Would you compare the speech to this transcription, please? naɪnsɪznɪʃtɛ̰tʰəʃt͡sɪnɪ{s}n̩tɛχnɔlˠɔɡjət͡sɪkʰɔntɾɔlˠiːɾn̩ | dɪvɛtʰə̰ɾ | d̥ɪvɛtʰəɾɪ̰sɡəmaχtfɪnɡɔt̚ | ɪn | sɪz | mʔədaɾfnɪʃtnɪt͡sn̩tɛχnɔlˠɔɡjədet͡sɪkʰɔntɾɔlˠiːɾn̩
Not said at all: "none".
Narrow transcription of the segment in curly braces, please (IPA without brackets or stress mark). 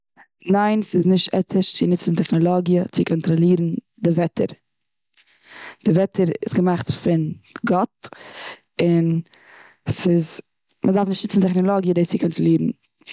t͡s